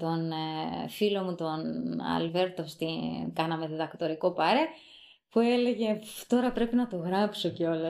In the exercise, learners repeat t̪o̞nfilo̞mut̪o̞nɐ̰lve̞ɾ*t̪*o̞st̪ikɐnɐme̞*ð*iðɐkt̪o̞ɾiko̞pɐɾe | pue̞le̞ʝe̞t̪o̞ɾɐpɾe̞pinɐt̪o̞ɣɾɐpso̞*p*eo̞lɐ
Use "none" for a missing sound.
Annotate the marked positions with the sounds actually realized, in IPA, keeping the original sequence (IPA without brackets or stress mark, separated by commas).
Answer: t̪, ð, c